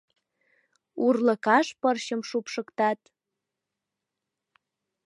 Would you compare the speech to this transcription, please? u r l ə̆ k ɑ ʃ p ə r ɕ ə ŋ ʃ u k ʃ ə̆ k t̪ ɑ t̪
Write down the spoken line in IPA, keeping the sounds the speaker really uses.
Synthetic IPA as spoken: u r l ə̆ k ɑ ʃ p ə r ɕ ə m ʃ u p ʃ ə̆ k t̪ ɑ t̪